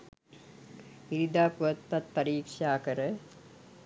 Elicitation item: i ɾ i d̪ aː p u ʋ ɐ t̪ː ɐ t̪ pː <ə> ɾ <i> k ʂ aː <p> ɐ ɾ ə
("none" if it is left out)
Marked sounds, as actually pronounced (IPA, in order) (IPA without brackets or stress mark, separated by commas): ɐ, iː, k